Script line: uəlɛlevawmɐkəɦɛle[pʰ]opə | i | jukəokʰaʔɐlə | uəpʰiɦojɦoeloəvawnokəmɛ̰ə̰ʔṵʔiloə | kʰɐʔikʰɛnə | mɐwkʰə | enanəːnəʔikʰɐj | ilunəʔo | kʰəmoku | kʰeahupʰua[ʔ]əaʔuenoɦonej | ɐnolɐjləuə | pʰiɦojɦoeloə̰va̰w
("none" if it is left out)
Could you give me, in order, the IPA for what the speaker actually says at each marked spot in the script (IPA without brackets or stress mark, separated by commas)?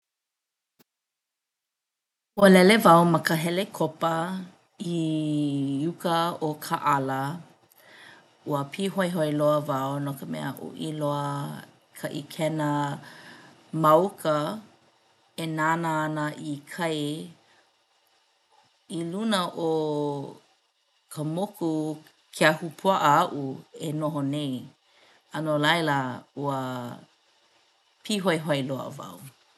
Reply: kʰ, ʔ